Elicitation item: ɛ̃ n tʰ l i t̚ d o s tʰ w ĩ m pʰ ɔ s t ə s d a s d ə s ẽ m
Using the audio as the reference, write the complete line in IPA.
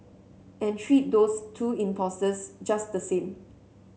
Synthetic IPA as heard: ɛ̃ n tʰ ɹ i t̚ d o s tʰ u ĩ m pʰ ɔ s t ə s d͡ʒ a s d ə s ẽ m